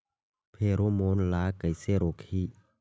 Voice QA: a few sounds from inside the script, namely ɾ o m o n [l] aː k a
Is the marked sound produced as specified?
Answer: yes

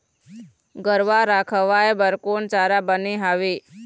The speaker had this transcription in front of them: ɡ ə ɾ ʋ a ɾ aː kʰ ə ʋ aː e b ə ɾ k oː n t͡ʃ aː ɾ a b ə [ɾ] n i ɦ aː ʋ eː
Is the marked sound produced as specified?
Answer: no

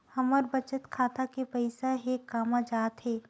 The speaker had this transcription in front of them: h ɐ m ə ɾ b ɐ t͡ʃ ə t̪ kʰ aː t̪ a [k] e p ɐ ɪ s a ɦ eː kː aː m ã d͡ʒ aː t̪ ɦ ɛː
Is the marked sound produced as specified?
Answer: yes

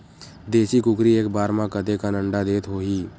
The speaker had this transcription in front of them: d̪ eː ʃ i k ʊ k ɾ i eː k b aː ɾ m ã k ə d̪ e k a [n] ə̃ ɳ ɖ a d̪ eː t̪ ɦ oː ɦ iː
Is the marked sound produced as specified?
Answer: yes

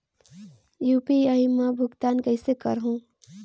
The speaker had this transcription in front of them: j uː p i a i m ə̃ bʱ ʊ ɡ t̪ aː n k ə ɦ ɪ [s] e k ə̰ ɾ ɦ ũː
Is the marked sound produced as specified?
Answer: yes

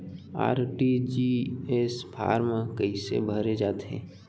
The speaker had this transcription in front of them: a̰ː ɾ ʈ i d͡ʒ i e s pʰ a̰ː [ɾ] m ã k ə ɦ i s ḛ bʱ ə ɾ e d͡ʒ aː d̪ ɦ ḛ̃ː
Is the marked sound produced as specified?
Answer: yes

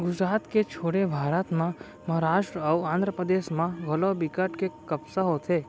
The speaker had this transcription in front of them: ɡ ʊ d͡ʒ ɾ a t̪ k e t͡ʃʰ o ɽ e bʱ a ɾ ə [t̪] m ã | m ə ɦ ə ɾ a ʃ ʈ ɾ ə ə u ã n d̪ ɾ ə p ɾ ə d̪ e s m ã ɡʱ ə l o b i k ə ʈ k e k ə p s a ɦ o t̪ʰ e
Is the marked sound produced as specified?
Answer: yes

